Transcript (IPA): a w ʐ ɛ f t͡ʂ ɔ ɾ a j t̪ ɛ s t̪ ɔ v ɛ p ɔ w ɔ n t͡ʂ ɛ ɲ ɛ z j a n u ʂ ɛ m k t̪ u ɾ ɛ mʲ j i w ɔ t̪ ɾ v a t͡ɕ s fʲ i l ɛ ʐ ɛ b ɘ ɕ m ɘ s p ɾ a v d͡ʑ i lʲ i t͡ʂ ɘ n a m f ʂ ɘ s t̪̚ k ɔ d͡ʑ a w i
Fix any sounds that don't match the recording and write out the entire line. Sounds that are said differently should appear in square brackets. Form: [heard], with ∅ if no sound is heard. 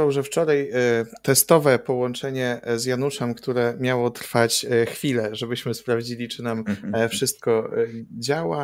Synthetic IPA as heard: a w ʐ ɛ f t͡ʂ ɔ ɾ a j t̪ ɛ s t̪ ɔ v ɛ p ɔ w ɔ n t͡ʂ ɛ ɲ ɛ z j a n u ʂ ɛ m k t̪ u ɾ ɛ mʲ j [a] w ɔ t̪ ɾ [f] a t͡ɕ [x] fʲ i l ɛ ʐ ɛ b ɘ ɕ m ɘ s p ɾ a v d͡ʑ i lʲ i t͡ʂ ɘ n a m f ʂ ɘ s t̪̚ k ɔ d͡ʑ a w [a]